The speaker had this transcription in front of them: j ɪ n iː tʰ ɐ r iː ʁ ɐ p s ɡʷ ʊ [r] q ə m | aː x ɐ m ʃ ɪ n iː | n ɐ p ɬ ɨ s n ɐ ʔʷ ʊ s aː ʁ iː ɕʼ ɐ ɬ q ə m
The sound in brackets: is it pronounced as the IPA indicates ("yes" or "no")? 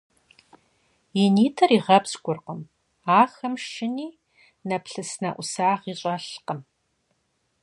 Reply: yes